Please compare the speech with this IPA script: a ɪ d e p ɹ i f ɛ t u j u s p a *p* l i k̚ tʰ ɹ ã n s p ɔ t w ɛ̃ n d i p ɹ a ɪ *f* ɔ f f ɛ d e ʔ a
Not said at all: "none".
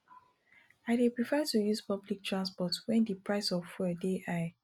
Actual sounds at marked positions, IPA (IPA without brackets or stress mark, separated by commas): b, s